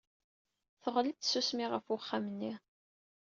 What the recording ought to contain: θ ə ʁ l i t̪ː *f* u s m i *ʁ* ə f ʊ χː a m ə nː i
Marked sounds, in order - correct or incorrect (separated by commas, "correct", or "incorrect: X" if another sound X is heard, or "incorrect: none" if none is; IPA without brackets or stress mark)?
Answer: incorrect: s, correct